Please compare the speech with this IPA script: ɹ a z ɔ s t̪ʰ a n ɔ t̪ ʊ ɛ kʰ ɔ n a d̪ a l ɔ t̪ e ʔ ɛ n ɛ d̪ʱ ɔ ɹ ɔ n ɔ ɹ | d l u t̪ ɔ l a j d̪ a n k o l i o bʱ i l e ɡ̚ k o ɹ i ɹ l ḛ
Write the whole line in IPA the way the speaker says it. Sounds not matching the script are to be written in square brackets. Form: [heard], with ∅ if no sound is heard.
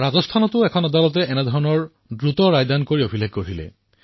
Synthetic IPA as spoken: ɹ a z ɔ s t̪ʰ a n ɔ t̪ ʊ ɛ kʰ ɔ n a d̪ a l ɔ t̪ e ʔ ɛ n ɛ d̪ʱ ɔ ɹ ɔ n ɔ ɹ | d [ɹ] u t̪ ɔ [ɹ] a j d̪ a n k o [ɹ] i o bʱ i l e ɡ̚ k o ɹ i [∅] l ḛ